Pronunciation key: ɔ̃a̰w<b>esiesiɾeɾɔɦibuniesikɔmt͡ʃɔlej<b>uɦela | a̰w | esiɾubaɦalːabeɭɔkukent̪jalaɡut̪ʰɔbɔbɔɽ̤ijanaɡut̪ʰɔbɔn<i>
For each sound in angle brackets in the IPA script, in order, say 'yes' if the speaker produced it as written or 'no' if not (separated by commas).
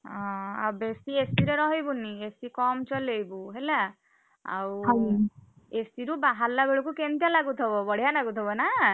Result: yes, yes, no